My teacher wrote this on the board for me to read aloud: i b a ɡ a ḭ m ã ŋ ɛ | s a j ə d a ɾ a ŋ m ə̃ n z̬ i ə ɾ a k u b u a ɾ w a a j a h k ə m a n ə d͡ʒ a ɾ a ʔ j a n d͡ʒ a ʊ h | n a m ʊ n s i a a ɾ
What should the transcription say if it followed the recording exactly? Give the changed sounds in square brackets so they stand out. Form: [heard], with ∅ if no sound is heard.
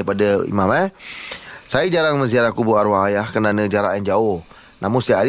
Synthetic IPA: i [p] a [d] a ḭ m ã [m] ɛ | s a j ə [d͡ʒ] a ɾ a ŋ m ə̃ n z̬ i [a] ɾ a k u b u a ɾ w a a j a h k ə [n] a n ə d͡ʒ a ɾ a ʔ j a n d͡ʒ a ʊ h | n a m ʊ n s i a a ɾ